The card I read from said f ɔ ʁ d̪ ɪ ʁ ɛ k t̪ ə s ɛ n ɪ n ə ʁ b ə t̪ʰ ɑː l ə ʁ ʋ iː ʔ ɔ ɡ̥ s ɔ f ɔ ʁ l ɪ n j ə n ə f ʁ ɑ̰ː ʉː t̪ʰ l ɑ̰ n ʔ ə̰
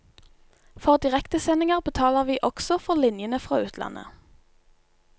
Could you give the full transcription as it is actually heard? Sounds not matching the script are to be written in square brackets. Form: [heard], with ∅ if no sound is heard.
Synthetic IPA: f ɔ ʁ d̪ ɪ ʁ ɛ k t̪ ə s ɛ n ɪ [ŋ] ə ʁ b ə t̪ʰ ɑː l ə ʁ ʋ iː ʔ ɔ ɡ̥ s ɔ f ɔ ʁ l ɪ n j ə n ə f ʁ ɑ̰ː ʉː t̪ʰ l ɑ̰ n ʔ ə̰